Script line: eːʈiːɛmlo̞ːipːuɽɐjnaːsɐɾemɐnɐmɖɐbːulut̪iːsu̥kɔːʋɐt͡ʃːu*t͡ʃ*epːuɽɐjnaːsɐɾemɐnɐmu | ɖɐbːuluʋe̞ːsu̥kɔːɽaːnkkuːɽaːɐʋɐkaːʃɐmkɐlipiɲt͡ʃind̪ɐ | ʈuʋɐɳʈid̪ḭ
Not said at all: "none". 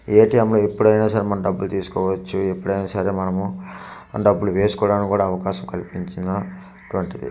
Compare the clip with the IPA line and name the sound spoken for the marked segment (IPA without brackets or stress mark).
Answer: none